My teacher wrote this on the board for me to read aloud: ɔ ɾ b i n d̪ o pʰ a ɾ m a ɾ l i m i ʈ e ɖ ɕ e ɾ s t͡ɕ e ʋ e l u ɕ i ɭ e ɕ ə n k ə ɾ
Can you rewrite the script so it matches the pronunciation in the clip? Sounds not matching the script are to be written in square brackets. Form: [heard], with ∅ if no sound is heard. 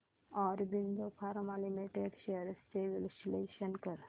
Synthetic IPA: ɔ ɾ b i n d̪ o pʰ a ɾ m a [∅] l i m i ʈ e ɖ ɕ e ɾ s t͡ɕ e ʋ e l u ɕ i [l] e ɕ ə n k ə ɾ